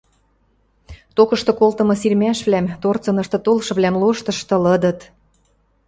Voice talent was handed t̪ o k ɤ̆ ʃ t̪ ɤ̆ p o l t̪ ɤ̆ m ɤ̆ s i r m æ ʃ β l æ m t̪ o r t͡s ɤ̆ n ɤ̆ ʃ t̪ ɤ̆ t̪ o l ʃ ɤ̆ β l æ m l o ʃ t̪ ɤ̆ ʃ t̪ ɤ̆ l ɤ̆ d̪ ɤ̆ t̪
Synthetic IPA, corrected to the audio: t̪ o k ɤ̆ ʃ t̪ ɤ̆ k o l t̪ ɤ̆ m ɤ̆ s i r m æ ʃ β l æ m t̪ o r t͡s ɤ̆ n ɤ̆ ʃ t̪ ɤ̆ t̪ o l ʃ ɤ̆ β l æ m l o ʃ t̪ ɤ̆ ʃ t̪ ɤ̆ l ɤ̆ d̪ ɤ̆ t̪